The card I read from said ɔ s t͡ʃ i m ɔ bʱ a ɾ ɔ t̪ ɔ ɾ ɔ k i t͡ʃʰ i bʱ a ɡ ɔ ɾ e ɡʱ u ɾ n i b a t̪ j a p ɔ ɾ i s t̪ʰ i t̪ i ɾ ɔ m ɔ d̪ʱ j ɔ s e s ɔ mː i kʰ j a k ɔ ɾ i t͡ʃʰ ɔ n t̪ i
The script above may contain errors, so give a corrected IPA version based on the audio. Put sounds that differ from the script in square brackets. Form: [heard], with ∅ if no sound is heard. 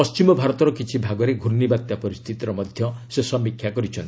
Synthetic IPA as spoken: ɔ s t͡ʃ i m ɔ bʱ a ɾ ɔ t̪ ɔ ɾ ɔ k i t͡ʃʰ i bʱ a ɡ ɔ ɾ e ɡʱ u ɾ n i b a t̪ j a p ɔ ɾ i s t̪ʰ i t̪ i ɾ ɔ m ɔ d̪ʱ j ɔ s e s ɔ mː i kʰ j a k ɔ ɾ i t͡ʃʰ ɔ n t̪ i